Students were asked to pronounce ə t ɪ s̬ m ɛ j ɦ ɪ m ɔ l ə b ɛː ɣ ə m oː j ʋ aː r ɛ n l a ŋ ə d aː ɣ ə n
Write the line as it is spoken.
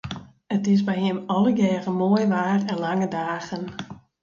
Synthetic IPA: ə t ɪ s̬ b ɛ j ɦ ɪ m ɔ l ə ɡ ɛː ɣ ə m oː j ʋ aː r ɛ n l a ŋ ə d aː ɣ ə n